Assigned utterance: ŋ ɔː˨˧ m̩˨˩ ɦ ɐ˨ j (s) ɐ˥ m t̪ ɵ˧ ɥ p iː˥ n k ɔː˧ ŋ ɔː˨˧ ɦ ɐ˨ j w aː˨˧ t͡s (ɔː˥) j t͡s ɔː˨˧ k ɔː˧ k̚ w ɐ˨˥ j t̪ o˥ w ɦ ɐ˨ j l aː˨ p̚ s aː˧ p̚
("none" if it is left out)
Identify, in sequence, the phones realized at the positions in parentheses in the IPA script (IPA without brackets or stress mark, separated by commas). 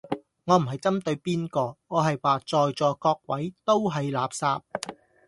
t͡s, ɔː˨